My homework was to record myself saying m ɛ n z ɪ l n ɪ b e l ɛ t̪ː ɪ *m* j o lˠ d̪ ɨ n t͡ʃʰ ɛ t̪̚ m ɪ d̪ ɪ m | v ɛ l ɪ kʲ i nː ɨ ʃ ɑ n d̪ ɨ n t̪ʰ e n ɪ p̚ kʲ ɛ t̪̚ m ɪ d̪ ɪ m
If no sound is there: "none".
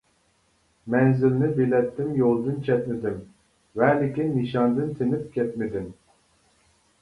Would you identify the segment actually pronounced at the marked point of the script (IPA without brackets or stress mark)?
m